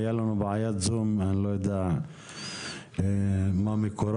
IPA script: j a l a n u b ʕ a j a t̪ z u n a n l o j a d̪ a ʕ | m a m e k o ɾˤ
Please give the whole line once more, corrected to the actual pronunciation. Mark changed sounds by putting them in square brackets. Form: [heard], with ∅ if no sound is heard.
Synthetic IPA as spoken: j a l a n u b ʕ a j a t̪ z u [m] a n l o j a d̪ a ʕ | m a m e k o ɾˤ

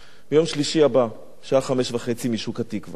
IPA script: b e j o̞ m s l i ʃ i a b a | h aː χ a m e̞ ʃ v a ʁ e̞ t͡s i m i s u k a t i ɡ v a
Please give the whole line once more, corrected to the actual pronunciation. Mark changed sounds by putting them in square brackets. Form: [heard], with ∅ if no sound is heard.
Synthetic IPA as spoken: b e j o̞ m [ʃ] l i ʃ i a b a | [ʃ] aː χ a m e̞ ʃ v a [χ] e̞ t͡s i m i [ʃ] u k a t i [k] v a

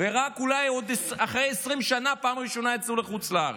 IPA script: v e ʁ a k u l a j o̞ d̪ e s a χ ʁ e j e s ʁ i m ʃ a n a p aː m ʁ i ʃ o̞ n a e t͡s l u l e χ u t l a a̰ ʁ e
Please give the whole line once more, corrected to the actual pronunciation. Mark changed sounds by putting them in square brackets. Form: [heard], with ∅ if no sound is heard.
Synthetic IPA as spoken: v e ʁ a k u l a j o̞ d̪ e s a χ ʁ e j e s ʁ i m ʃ a n a p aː m ʁ i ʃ o̞ n a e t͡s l u l e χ u [t͡s] l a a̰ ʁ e

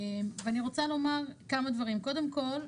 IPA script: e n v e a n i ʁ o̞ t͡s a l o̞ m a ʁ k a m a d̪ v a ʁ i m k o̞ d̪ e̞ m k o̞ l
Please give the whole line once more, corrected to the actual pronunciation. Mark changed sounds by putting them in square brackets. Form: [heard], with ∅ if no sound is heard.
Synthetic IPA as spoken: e [m] v e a n i ʁ o̞ t͡s a l o̞ m a ʁ k a m a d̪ v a ʁ i m k o̞ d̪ e̞ m k o̞ l

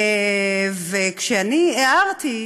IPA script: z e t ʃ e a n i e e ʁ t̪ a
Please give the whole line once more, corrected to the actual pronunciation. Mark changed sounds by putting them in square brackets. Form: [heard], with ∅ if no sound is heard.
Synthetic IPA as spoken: [v] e [k] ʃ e a n i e [a] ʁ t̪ [i]

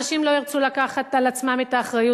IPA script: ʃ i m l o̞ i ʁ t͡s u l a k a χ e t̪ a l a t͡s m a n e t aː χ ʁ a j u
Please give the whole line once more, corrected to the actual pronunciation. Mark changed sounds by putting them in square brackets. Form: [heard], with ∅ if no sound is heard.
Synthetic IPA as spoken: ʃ i m l o̞ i ʁ t͡s u l a k a χ [a] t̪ a l a t͡s m a [m] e t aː χ ʁ a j u

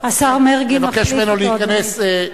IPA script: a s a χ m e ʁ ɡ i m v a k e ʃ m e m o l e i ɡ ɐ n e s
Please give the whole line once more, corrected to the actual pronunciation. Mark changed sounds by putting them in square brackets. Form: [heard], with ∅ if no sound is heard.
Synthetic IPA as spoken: a s a [ʁ] m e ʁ ɡ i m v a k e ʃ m e [n] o l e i [k] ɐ n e s

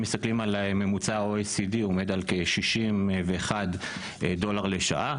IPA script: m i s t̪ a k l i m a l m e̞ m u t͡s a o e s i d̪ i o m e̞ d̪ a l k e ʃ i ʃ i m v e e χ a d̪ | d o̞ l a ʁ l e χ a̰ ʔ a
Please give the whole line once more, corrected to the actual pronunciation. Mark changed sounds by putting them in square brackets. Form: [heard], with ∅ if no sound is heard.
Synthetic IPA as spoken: m i s t̪ a k l i m a l m e̞ m u t͡s a o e s i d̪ i o m e̞ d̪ a l k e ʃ i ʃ i m v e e χ a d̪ | d o̞ l a ʁ l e [ʃ] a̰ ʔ a

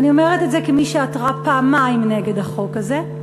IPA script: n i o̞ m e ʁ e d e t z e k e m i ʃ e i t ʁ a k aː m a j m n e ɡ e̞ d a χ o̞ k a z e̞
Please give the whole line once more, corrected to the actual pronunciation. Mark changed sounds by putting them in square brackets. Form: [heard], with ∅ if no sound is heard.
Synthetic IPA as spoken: n i o̞ m e ʁ e [t] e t z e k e m i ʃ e [a] t ʁ a [p] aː m a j m n e ɡ e̞ d a χ o̞ k a z e̞

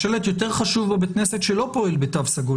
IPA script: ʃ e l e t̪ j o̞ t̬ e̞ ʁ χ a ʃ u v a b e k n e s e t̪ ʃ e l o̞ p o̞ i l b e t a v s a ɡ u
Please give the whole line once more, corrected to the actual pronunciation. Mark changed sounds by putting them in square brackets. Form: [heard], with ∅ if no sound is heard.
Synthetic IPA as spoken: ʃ e l e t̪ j o̞ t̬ e̞ ʁ χ a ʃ u v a b e k n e s e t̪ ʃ e l o̞ p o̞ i l b e t a v s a ɡ u

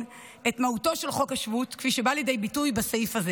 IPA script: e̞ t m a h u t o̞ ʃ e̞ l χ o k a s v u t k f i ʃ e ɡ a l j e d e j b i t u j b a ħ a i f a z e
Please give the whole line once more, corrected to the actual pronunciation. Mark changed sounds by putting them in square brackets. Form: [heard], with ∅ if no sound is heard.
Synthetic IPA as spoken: e̞ t m a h u t o̞ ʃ e̞ l χ o k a [ʃ] v u t k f i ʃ e [b] a l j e d e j b i t u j b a [s] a i f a z e

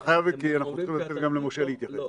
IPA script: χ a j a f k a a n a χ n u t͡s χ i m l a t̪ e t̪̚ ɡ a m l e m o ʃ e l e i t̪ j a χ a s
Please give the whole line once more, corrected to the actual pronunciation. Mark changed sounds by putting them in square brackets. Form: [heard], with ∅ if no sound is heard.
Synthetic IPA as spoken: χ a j a [v] k [i] a n a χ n u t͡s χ i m l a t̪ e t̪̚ ɡ a m l e m o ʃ e l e i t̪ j a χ [e] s

